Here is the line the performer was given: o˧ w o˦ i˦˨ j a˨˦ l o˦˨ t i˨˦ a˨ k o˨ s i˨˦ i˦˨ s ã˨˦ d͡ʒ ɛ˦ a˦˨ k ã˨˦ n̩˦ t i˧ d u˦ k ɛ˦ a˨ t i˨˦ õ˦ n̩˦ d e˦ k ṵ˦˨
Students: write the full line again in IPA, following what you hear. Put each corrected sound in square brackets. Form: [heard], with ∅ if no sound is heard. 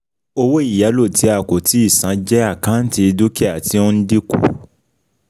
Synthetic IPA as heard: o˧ w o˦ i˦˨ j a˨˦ l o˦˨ t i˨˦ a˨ k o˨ [t] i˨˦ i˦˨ s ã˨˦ d͡ʒ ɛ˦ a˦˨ k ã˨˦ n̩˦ t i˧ d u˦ k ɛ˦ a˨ t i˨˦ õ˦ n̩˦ d [i˦] k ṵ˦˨